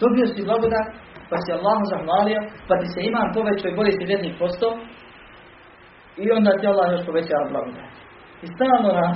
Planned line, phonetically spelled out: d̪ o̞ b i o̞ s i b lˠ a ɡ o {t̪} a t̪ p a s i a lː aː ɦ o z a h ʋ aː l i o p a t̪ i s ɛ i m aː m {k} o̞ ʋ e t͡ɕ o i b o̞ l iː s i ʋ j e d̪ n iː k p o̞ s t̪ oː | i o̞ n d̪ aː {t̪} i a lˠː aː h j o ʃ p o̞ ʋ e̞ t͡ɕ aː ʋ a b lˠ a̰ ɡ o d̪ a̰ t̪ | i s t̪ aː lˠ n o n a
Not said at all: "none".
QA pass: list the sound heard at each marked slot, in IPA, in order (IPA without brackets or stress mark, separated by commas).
d̪, p, t̪